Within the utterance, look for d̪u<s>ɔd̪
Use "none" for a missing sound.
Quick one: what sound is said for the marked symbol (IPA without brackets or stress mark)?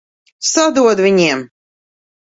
none